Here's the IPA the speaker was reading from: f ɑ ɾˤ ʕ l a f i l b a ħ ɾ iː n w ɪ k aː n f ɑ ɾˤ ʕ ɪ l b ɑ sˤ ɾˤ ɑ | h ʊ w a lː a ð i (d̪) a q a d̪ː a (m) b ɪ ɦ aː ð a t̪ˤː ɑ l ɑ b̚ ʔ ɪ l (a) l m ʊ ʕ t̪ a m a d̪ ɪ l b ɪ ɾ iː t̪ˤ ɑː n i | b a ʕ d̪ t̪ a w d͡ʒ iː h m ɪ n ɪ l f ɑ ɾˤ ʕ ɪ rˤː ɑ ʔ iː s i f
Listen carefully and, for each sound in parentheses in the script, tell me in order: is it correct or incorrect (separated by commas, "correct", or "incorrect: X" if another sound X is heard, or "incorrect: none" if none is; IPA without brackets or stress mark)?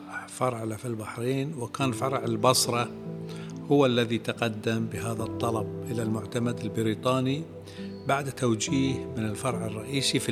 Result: incorrect: t̪, correct, correct